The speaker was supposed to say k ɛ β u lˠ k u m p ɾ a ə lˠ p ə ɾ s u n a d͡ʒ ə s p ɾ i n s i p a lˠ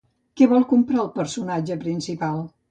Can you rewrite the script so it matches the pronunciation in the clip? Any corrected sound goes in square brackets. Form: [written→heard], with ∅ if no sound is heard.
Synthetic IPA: k ɛ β [u→ɔ] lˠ k u m p ɾ a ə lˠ p ə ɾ s u n a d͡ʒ ə [s→∅] p ɾ i n s i p a lˠ

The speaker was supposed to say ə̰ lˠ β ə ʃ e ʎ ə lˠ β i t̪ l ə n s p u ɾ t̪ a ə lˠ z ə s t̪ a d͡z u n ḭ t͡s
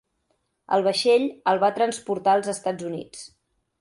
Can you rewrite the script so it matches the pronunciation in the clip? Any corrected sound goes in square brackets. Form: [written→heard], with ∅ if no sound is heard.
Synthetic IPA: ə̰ lˠ β ə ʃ e ʎ ə lˠ β [i→a] t̪ [l→ɾ] ə n s p u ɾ t̪ a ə lˠ z ə s t̪ a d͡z u n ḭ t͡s

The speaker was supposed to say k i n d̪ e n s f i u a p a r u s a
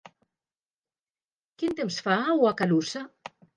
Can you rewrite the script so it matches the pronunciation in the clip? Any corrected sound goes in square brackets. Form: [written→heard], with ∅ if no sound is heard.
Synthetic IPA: k i n [d̪→t̪] e [n→m] s f [i→a] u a [p→k] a [r→l] u s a

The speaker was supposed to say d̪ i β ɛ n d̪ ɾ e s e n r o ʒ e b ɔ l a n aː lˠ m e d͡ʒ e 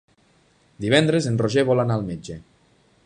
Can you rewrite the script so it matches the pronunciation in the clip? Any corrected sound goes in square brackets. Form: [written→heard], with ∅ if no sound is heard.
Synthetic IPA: d̪ i β ɛ n d̪ ɾ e [s→z] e n r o ʒ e [b→β] ɔ l a n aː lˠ m e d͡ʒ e

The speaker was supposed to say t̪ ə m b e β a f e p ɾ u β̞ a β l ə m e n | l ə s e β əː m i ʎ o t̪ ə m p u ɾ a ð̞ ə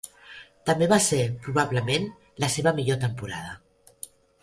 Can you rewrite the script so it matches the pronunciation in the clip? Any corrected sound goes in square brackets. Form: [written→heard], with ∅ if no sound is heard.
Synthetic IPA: t̪ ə m b e β a [f→s] e p ɾ u β̞ a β l ə m e n | l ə s e β [əː→ə] m i ʎ o t̪ ə m p u ɾ a ð̞ ə

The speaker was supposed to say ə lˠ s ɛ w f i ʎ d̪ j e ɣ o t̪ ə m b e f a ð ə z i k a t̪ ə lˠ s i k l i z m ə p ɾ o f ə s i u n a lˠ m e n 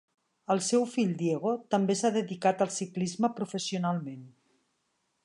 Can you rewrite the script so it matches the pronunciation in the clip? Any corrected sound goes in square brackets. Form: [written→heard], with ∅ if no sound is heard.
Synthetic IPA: ə lˠ s ɛ w f i ʎ d̪ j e ɣ o t̪ ə m b e [f→s] a ð ə [z→ð] i k a t̪ ə lˠ s i k l i z m ə p ɾ [o→u] f ə s i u n a lˠ m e n

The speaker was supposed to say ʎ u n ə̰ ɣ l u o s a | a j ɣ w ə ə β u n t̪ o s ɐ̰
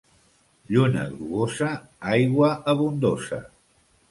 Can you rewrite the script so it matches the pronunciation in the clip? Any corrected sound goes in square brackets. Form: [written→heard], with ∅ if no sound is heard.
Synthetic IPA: ʎ u n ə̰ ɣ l u o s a | a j ɣ w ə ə β u n [t̪→d̪] o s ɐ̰

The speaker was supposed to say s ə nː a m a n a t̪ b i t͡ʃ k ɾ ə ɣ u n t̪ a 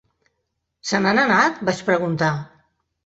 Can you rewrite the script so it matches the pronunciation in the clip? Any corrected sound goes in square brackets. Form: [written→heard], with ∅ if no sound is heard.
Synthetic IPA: s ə [nː→n] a [m→n] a n a t̪ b [i→a] t͡ʃ [k→p] ɾ ə ɣ u n t̪ a

